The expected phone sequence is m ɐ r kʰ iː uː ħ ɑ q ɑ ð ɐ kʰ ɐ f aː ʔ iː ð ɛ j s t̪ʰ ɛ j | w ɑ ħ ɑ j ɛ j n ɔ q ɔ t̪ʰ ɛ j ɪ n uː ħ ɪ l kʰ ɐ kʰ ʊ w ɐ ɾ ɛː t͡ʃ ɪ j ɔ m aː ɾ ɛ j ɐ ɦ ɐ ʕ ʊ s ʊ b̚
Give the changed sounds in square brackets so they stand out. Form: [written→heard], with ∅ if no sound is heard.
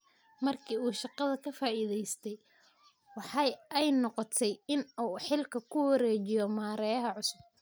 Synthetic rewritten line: m ɐ r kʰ iː uː [ħ→ʃ] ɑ q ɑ ð ɐ kʰ ɐ f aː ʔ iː ð ɛ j s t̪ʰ ɛ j | w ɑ ħ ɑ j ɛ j n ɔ q ɔ t̪ʰ ɛ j ɪ n uː ħ ɪ l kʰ ɐ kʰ ʊ w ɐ ɾ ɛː t͡ʃ ɪ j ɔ m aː ɾ ɛ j ɐ ɦ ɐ ʕ ʊ s ʊ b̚